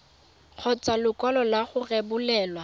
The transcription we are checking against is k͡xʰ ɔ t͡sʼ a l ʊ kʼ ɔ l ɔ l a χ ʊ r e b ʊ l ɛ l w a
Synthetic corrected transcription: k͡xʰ ɔ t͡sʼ a l ʊ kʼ ɔ l ɔ l a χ ʊ r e b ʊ l ɛː l w a

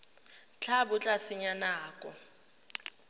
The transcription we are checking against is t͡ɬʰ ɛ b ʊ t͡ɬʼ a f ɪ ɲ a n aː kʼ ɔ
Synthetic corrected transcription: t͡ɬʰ a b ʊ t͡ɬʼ a s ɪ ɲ a n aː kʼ ɔ

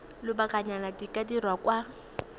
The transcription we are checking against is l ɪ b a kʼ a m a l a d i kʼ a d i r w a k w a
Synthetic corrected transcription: l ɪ b a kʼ a ɲ a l a d i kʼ a d i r w a k w a

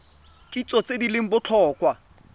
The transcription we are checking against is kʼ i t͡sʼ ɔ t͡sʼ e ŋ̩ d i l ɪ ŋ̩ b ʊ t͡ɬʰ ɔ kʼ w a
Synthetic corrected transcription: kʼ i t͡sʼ ɔ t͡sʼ e d i l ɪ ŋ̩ b ʊ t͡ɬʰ ɔː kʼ w a

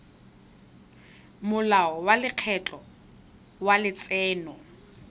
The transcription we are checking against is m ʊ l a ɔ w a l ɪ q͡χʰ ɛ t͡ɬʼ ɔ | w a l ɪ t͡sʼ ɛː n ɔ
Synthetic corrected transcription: m ʊ l a ɔ w a l ɪ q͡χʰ ɛ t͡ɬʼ ɔ | w a l ɪ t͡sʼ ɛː n ɔ

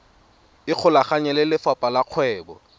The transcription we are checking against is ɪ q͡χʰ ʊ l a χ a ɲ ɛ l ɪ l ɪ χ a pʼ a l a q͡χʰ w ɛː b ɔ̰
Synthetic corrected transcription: ɪ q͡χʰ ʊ l a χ a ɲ ɛ l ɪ l ɪ f a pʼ a l a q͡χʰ w ɛː b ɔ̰

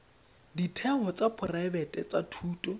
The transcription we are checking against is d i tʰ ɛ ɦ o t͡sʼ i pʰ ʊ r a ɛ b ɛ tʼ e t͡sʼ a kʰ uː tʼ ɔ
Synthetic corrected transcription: d i tʰ ɛ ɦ ɔ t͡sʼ a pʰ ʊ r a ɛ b ɛ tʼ ɛ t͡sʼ a tʰ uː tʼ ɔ

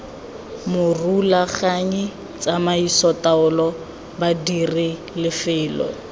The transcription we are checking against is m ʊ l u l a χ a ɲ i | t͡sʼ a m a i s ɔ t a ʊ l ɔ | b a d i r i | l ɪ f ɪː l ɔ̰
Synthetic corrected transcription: m ʊ r u l a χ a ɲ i | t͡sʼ a m a i s ɔ t a ʊ l ɔ | b a d i r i | l ɪ f ɪː l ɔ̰

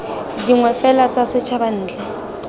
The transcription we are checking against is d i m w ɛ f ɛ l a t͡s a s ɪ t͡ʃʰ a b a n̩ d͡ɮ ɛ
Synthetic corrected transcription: d i ŋ w ɛ f ɛ l a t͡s a s ɪ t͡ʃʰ a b a n̩ː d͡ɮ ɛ

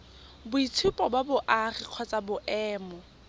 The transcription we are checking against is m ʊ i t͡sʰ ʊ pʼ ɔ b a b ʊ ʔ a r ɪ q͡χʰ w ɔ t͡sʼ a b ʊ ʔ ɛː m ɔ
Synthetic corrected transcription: b ʊ i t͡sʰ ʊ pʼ ɔ b a b ʊ ʔ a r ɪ q͡χʰ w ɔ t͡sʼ a b ʊ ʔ ɛː m ɔ

